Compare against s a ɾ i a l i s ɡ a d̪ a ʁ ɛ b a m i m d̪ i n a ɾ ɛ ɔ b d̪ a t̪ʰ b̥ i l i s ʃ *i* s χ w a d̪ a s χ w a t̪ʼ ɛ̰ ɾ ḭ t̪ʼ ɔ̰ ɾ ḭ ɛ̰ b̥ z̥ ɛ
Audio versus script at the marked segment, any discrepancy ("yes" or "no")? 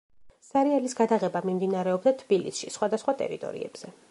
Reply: no